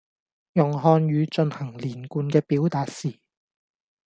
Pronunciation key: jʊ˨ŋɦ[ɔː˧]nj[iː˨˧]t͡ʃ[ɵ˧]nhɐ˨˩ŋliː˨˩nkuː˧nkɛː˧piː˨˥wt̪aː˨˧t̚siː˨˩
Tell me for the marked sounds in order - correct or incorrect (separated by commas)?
correct, incorrect, correct